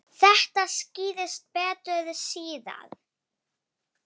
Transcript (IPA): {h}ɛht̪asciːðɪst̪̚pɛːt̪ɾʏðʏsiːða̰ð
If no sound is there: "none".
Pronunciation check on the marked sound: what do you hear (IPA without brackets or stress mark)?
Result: θ